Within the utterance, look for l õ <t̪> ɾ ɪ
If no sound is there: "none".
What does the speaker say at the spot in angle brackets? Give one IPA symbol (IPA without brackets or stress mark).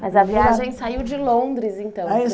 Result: d̪